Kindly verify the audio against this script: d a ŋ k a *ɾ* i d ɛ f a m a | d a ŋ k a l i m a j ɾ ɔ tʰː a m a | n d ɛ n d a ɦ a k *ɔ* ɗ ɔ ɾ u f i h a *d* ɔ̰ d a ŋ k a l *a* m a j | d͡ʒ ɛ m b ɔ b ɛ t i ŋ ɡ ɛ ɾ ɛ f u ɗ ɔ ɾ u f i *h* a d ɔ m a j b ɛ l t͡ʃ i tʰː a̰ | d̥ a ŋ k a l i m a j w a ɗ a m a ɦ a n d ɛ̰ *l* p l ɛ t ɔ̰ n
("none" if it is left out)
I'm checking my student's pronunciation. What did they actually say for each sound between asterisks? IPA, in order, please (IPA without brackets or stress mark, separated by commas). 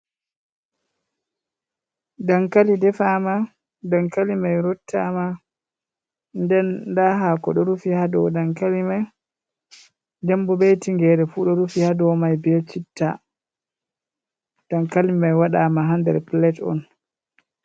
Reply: l, ɔ, d, i, h, ɾ